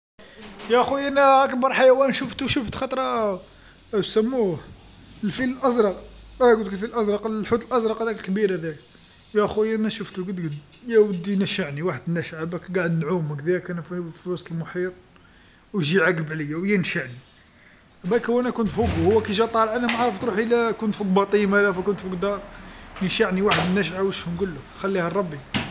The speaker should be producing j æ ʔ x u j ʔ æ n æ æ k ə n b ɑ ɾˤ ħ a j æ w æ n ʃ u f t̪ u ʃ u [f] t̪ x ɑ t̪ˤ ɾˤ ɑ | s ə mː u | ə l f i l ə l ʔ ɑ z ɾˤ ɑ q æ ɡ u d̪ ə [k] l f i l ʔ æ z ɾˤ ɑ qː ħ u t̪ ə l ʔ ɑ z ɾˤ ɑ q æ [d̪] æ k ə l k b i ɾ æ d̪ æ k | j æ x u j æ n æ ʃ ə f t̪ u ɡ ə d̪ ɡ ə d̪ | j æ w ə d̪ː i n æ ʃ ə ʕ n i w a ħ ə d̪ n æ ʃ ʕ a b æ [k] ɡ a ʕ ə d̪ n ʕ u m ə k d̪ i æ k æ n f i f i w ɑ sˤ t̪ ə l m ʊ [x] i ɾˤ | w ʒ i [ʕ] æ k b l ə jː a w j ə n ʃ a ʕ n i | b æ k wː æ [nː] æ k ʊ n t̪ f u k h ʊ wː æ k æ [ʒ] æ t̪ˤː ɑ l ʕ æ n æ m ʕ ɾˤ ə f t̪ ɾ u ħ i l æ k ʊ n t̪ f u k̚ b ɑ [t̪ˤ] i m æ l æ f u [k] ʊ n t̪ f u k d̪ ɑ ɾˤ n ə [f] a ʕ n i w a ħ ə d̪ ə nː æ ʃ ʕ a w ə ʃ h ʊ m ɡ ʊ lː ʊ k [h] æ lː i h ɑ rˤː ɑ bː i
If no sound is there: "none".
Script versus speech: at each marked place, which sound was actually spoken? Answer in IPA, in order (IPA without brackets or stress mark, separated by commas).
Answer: f, k, d̪, k, ħ, ʕ, n, ʒ, t̪ˤ, k, ʃ, x